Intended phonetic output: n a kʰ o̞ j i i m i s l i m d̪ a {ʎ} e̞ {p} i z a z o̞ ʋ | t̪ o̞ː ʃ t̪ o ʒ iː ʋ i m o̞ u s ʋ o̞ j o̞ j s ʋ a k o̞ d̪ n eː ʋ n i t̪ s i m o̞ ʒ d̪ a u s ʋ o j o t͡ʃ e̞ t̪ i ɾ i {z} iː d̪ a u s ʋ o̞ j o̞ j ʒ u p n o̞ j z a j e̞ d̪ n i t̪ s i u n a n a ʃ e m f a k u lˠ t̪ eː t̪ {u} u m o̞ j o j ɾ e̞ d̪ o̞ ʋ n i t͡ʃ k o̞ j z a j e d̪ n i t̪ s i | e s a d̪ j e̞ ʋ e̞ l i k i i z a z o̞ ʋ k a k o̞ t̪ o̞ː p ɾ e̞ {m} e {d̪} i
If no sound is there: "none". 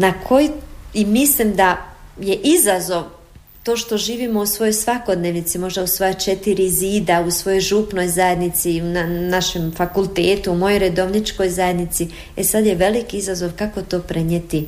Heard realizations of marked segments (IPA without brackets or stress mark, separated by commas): j, ʔ, z, u, ɲ, t̪